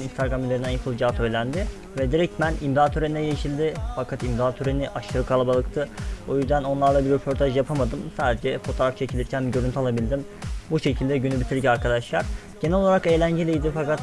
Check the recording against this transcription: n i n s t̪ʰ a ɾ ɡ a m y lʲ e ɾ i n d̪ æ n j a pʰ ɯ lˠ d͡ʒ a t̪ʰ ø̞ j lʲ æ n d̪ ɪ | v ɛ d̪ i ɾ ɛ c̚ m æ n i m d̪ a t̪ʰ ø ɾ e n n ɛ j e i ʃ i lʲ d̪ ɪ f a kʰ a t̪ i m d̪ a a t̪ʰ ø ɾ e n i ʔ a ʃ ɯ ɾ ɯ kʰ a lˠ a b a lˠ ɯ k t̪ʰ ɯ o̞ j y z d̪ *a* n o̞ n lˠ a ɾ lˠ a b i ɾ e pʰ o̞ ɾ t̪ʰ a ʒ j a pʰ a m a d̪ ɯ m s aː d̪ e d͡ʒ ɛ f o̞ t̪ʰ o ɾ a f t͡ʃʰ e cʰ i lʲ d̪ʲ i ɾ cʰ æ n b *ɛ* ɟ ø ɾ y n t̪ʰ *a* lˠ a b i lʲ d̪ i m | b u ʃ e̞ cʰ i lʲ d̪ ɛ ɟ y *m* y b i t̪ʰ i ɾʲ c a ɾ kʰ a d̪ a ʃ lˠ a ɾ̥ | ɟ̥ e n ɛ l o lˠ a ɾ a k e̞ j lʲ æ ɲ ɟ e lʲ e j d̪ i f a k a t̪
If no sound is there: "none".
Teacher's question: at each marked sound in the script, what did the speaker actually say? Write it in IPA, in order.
æ, i, a, n

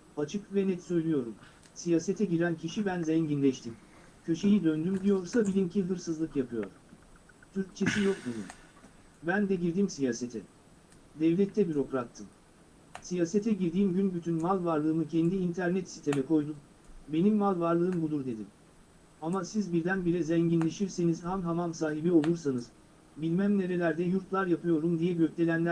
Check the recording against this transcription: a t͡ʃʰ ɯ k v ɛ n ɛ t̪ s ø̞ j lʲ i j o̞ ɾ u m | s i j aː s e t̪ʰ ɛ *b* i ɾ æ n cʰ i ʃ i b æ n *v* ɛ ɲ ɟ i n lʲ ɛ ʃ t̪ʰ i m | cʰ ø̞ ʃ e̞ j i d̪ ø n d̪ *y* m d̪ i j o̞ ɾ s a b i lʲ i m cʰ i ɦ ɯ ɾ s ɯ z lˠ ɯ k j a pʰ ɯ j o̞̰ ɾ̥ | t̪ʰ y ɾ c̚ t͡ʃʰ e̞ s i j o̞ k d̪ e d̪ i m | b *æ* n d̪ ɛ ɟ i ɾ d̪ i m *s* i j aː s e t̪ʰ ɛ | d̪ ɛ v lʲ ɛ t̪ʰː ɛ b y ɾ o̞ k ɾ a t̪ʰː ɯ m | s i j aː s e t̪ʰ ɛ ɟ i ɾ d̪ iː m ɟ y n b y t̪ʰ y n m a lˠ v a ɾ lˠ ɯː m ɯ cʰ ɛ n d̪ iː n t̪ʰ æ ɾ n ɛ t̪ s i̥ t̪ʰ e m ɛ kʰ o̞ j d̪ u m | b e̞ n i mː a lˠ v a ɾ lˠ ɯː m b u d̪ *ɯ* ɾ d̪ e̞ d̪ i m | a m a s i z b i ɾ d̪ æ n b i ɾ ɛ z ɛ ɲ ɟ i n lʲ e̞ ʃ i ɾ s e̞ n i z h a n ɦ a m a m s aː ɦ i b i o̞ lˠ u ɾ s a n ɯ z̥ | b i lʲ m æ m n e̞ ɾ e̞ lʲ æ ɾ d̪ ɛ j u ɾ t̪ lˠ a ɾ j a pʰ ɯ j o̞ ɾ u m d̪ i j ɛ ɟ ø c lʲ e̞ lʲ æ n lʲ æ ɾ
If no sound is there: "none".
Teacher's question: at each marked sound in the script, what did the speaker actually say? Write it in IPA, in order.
ɟ, z, y, æ, s, u

